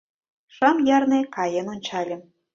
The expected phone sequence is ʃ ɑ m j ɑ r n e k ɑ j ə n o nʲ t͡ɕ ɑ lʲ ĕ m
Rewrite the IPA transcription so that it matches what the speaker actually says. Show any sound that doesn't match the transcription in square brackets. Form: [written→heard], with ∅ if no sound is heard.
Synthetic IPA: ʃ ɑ m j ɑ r n e k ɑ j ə n o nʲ t͡ɕ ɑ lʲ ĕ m